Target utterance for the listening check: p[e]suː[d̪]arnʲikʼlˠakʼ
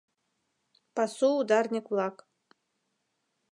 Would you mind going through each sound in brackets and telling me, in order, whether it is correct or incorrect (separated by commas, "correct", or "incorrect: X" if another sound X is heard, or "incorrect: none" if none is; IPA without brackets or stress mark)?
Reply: incorrect: a, correct